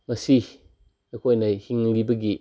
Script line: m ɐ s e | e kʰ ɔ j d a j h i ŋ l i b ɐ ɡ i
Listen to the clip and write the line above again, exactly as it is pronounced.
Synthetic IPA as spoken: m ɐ s i | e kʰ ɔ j n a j h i ŋ l i b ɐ ɡ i